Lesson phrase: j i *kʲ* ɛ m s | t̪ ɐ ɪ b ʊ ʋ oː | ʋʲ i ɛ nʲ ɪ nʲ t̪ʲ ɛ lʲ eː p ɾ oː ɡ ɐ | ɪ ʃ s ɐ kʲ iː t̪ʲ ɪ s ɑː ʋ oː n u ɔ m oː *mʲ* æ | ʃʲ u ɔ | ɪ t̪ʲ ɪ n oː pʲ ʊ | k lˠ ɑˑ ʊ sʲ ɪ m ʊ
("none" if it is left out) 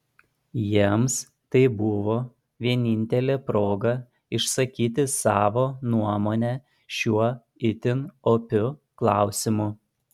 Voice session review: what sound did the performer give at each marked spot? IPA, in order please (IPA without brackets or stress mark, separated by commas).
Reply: none, nʲ